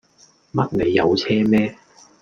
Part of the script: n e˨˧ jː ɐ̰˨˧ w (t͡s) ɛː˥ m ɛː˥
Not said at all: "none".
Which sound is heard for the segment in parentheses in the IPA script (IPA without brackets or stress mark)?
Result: t͡sʰ